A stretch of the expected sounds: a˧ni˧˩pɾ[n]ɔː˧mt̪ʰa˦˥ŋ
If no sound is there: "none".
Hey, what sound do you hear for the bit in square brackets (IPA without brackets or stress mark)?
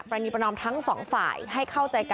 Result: n